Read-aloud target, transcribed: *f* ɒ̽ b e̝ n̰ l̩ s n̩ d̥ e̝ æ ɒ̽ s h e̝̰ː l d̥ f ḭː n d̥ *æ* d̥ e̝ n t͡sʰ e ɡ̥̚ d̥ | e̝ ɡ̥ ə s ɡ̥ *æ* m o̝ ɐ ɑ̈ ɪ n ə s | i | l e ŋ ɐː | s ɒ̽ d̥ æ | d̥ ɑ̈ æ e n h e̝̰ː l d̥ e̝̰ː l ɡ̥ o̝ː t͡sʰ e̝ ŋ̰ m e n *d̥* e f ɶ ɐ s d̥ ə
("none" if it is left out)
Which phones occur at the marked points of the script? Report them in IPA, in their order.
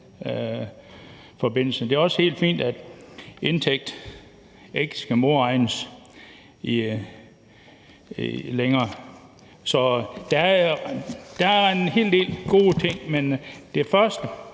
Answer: f, æ, æ, d̥

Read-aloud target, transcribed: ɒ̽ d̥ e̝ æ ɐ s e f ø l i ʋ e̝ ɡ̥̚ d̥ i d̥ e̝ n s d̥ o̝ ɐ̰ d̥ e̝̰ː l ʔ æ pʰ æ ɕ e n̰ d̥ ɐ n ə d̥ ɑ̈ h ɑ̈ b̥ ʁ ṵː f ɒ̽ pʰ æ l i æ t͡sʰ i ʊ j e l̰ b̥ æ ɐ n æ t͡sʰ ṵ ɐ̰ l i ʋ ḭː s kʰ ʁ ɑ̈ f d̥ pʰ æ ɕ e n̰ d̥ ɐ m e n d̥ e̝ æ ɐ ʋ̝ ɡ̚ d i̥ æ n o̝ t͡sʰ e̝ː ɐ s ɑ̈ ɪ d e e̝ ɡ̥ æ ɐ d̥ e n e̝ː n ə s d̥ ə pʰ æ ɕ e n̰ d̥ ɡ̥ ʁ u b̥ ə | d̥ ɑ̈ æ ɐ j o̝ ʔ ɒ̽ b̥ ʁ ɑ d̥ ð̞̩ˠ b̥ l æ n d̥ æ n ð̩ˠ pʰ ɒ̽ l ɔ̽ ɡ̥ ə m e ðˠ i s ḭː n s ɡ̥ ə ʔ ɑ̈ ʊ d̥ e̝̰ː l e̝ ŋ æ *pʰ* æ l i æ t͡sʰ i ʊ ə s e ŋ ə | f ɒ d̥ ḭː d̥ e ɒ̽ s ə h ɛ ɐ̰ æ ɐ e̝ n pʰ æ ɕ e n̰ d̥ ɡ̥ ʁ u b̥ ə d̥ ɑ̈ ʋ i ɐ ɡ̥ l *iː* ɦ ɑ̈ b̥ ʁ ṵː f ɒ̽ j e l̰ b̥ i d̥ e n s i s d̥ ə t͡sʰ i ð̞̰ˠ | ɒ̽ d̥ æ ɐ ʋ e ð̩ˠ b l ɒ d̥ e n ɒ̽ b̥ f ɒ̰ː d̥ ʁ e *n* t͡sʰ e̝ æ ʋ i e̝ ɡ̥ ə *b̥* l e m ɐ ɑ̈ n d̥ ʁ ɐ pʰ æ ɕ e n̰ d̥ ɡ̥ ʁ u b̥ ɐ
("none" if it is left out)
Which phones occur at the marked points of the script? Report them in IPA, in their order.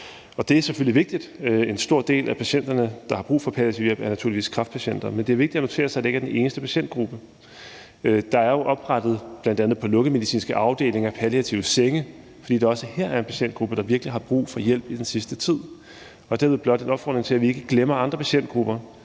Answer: pʰ, i, ŋ, ɡ̥

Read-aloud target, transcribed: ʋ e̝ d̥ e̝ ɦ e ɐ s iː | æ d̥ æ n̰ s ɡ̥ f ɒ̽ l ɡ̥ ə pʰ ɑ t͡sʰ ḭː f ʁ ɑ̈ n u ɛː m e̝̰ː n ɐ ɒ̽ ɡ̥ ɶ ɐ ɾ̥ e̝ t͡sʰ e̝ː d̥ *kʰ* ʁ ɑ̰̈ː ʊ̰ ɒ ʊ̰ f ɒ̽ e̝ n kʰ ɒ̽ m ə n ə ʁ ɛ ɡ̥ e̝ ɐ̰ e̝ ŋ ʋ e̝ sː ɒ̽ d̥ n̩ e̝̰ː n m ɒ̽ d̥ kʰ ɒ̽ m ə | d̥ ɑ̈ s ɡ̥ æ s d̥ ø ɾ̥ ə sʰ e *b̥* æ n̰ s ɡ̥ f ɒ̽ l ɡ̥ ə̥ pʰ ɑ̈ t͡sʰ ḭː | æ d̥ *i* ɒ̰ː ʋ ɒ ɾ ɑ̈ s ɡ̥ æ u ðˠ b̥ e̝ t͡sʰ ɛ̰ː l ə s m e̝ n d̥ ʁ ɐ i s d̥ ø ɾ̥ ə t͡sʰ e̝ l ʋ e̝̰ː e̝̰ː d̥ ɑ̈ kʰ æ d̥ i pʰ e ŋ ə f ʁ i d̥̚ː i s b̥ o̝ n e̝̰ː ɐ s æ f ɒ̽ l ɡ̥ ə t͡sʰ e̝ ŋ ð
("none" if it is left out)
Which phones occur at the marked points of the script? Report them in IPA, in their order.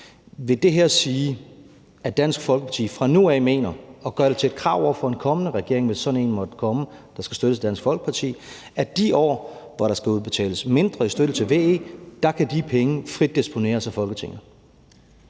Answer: kʰ, d̥, i

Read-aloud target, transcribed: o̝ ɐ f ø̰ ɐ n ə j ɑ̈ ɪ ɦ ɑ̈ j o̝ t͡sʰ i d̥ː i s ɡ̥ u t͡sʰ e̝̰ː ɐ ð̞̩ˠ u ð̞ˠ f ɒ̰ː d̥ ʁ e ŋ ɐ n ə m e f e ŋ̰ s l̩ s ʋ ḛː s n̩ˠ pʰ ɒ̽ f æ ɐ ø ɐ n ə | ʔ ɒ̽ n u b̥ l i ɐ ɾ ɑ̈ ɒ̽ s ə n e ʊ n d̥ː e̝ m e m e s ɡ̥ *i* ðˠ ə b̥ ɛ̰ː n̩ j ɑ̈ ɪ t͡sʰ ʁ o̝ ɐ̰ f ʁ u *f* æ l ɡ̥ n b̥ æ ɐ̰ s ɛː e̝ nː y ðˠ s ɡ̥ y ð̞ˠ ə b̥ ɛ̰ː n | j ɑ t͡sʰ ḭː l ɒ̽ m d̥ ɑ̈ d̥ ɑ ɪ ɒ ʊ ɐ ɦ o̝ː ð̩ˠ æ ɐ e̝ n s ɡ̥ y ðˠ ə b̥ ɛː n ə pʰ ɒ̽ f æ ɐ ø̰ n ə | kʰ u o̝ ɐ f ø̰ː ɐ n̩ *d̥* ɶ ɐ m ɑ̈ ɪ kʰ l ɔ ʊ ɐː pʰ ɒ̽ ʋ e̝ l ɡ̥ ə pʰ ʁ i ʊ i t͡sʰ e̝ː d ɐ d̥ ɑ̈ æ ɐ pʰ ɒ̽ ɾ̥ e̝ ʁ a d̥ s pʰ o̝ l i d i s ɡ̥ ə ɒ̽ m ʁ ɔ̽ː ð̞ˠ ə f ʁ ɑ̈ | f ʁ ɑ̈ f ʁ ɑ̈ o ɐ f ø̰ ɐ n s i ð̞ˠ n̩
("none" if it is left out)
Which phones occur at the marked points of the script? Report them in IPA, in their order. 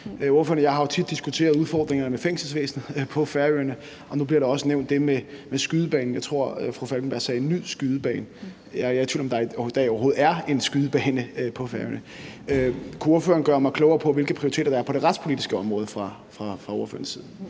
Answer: y, f, ɡ̥

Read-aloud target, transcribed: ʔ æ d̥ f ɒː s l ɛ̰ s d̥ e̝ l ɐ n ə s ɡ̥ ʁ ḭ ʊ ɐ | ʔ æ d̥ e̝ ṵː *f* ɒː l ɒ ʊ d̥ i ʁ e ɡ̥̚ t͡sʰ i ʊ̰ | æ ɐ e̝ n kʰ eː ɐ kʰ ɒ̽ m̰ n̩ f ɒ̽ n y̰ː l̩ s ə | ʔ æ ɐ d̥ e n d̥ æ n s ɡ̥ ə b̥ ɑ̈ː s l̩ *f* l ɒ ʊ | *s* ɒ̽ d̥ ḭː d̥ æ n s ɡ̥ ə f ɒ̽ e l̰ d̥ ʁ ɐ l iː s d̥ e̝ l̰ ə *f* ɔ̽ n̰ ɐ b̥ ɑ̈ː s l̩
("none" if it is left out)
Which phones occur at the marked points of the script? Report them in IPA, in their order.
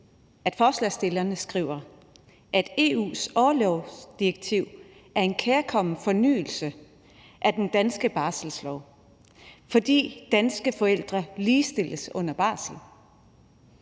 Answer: s, s, f, s

